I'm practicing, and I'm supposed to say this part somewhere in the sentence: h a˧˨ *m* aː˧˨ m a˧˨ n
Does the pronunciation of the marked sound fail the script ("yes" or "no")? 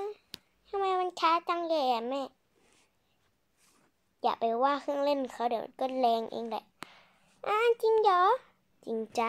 no